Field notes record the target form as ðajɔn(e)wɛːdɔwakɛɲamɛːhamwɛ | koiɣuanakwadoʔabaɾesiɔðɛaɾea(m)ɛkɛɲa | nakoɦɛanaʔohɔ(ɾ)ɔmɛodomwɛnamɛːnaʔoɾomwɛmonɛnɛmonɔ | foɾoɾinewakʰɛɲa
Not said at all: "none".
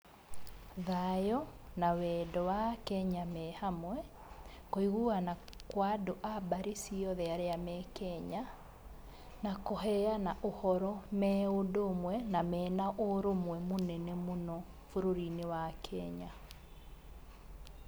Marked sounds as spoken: a, m, ɾ

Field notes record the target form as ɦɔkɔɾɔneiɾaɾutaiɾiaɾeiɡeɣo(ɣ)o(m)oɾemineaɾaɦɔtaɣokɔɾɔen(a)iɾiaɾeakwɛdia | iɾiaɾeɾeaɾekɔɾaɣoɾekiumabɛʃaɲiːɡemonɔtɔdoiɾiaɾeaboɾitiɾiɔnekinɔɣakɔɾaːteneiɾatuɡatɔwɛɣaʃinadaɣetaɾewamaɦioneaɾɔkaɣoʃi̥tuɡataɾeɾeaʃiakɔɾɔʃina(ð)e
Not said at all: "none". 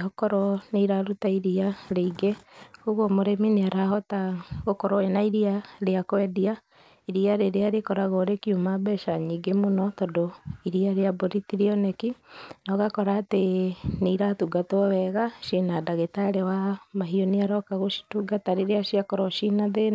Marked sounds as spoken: ɣ, m, a, ð

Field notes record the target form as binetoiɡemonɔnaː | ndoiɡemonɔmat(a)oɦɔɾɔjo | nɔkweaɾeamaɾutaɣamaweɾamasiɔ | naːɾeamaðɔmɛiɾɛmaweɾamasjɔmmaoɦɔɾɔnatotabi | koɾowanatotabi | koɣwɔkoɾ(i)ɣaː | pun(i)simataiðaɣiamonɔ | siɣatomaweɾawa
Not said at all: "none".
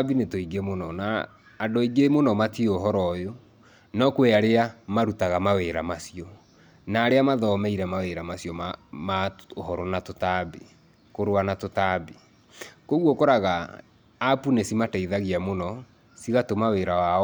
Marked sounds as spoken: i, a, e

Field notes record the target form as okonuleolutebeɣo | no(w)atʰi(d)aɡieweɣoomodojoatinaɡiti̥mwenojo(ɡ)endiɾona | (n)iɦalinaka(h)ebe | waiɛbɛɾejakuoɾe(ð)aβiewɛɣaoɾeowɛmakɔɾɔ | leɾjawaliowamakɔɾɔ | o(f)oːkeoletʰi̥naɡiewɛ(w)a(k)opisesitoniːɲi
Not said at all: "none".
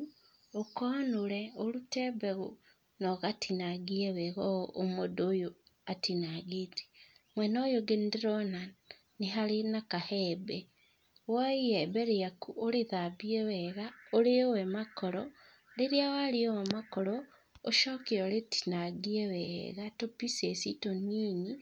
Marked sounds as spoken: ɣ, n, ɡ, n, h, ð, ʃ, ɣ, t

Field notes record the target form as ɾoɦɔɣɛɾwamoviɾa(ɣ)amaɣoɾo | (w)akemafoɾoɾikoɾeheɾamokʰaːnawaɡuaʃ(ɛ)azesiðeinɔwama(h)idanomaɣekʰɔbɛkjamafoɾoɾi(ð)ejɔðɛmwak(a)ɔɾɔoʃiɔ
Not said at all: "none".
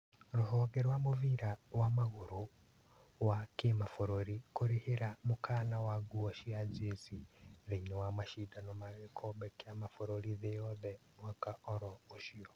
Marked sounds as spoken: w, w, i, ʃ, ð, a

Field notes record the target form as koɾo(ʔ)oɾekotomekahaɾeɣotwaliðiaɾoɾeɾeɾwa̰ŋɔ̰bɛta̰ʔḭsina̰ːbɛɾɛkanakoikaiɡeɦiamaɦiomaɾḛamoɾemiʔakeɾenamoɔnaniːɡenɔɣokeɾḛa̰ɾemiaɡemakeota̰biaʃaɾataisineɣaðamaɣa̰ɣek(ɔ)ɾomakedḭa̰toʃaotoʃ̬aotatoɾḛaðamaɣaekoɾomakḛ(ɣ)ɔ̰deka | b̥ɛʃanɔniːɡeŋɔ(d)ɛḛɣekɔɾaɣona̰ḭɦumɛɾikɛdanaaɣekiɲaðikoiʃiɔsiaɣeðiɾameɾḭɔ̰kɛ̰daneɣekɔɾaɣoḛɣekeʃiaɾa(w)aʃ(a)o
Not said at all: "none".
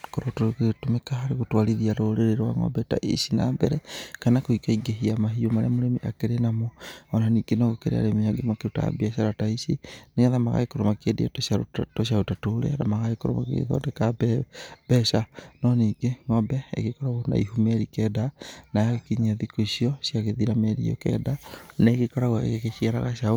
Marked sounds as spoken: t, o, ð, b, ɣ, a

